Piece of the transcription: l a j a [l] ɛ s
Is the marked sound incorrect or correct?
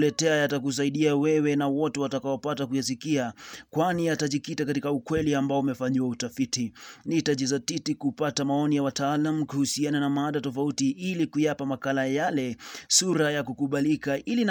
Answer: correct